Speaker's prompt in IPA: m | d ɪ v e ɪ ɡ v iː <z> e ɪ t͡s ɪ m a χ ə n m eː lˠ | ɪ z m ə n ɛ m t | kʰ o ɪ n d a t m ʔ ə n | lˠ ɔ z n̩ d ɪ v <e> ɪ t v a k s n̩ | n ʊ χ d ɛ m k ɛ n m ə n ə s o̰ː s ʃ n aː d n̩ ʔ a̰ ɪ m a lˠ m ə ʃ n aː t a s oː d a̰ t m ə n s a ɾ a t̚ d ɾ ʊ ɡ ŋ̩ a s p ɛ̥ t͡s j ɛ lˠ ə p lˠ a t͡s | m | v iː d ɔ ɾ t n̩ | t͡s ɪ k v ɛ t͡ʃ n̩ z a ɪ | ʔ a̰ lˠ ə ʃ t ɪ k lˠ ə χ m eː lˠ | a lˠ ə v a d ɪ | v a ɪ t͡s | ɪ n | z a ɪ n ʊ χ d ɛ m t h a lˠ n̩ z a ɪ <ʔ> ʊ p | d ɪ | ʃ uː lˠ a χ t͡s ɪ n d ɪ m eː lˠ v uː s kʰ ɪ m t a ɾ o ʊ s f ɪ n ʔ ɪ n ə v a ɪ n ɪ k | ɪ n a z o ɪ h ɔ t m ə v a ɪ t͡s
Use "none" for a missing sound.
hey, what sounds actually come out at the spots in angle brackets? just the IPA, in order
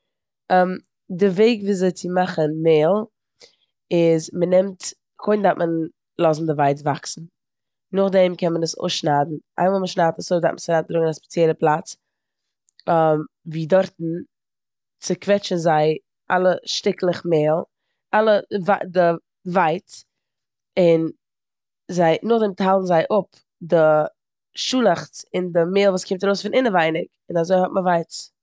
z, a, ʔ

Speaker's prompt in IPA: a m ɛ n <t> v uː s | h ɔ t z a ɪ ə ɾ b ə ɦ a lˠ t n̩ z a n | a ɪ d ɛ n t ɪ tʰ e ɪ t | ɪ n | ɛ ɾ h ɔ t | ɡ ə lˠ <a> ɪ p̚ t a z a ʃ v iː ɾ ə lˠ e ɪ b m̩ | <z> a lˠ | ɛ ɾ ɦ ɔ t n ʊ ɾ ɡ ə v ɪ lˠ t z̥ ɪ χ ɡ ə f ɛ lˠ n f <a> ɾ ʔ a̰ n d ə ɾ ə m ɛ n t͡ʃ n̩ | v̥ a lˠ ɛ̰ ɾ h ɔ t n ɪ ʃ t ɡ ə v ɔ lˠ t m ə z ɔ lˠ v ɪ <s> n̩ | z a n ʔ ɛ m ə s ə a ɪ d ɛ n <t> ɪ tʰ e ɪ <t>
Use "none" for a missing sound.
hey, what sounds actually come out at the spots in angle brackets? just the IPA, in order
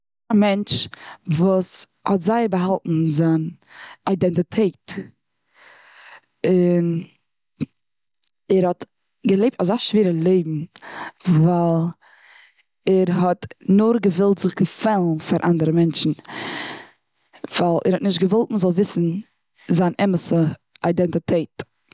t͡ʃ, e, v, a, s, t, t

